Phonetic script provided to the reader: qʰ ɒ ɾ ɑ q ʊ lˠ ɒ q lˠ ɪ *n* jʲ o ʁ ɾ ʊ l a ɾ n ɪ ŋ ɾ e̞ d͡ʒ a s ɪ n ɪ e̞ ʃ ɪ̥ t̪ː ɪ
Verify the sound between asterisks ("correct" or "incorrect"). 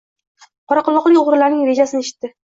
incorrect